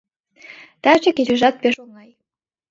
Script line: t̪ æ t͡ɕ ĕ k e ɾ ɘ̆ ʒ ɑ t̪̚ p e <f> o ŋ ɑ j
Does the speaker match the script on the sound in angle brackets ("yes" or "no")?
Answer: no